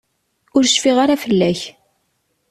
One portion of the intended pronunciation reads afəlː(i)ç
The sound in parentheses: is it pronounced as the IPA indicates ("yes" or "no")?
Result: no